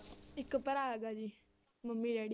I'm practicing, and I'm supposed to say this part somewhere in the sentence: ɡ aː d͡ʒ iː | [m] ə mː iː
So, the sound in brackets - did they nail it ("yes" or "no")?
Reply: yes